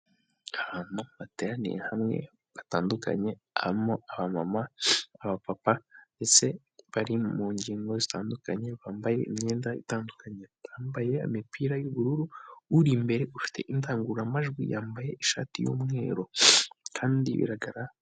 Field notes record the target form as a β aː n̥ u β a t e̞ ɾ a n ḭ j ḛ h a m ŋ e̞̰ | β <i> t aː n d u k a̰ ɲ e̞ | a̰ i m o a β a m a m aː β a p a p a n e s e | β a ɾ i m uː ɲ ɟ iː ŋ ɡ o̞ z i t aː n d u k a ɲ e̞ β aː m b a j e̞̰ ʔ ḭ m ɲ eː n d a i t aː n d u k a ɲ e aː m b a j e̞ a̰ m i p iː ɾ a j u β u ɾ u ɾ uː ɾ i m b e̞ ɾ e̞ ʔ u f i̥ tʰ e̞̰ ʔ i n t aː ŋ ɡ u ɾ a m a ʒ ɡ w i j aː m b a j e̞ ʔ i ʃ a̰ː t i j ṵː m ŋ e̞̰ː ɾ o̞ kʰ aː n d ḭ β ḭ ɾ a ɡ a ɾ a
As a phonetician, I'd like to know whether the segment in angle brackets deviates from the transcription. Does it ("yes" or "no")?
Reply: yes